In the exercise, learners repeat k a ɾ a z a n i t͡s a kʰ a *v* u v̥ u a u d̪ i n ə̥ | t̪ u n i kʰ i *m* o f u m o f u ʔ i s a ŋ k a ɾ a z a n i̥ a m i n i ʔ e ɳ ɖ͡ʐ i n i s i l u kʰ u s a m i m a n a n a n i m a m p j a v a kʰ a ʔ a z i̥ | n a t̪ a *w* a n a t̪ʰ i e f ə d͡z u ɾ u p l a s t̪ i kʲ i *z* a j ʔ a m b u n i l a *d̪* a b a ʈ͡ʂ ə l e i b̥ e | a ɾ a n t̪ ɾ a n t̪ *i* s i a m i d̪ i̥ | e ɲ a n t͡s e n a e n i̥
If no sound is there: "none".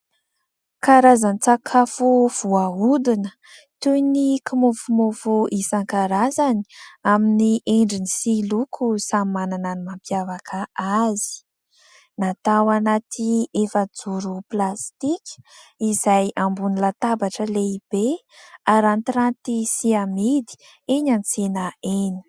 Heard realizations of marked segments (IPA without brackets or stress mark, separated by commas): f, m, w, z, t̪, i